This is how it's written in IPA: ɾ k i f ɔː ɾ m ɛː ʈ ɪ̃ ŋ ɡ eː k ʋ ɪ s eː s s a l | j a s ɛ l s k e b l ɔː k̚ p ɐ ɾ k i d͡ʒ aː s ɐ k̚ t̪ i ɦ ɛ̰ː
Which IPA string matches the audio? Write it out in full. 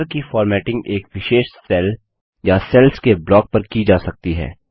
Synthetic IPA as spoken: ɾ k i f ɔː ɾ m ɛː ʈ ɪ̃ ŋ ɡ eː k ʋ ɪ ʃ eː ʃ s ɛ l | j a s ɛ l s k e b l ɔː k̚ p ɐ ɾ k i d͡ʒ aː s ɐ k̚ t̪ i ɦ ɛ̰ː